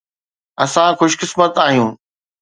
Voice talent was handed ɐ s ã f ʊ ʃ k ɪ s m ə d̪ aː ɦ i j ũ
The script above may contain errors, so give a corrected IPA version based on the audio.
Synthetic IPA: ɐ s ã x ʊ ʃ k ɪ s m ə t̪ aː ɦ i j ũː

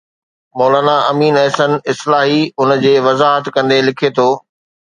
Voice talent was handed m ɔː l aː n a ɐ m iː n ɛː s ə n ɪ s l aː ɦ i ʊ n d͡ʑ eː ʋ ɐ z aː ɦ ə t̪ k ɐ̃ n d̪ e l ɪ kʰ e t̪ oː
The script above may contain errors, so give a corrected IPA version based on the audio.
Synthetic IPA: m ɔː l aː n a ɐ m iː n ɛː s ə n ɪ s l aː ɦ i ʊ n d͡ʑ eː ʋ ɐ z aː ɦ ə t̪ k ɐ̃ n d̪ e l ɪ kʰ e t̪ʰ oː

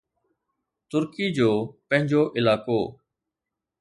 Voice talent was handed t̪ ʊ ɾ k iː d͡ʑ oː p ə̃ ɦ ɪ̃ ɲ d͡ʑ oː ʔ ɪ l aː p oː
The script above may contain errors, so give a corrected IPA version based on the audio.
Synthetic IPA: t̪ ʊ ɾ k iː d͡ʑ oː p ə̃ ɦ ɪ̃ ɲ d͡ʑ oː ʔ ɪ l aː k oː

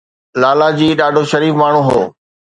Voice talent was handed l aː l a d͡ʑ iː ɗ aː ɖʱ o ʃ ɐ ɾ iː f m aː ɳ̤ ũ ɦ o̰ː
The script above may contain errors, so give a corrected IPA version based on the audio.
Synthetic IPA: l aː l a d͡ʑ iː ɗ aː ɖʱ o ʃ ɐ ɾ iː f m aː ɳ̤ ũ ɦ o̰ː

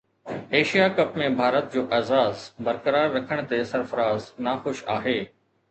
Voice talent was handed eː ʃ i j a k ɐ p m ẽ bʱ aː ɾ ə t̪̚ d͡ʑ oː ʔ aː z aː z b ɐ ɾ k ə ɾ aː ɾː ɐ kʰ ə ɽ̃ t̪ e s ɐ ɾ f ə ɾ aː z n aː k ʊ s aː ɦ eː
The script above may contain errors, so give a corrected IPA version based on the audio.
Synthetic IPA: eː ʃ i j a k ɐ p m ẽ bʱ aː ɾ ə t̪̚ d͡ʑ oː ʔ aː z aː z b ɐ ɾ k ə ɾ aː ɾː ɐ kʰ ə ɽ̃ t̪ e s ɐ ɾ f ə ɾ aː z n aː x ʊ ʃ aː ɦ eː

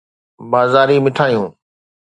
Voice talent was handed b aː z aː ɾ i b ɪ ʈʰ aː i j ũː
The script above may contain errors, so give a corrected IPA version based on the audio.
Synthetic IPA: b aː z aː ɾ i m ɪ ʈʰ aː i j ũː

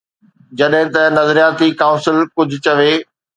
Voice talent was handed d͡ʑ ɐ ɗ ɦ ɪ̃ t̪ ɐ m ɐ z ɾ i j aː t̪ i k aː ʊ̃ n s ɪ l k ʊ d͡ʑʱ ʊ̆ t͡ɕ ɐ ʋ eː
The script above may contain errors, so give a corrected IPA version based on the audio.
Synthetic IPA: d͡ʑ ɐ ɗ ɦ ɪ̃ t̪ ɐ n ɐ z ɾ i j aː t̪ i k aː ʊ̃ n s ɪ l k ʊ d͡ʑʱ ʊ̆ t͡ɕ ɐ ʋ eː

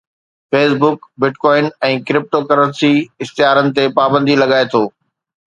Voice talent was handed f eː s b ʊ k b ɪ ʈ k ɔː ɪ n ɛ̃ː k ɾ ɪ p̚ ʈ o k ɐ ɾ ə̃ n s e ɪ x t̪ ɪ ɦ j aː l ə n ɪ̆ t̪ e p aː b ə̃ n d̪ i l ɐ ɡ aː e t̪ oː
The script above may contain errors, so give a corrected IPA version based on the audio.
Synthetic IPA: f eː s b ʊ k b ɪ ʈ k ɔː ɪ n ɛ̃ː k ɾ ɪ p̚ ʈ o k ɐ ɾ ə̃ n s i ɪ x t̪ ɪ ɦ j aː ɾ ə n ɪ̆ t̪ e p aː b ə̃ n d̪ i l ɐ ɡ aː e t̪ʰ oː

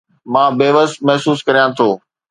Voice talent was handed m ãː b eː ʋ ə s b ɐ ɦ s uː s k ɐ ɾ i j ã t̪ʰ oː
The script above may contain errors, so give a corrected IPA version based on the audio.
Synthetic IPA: m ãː b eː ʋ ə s m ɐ ɦ s uː s k ɐ ɾ i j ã t̪ʰ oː

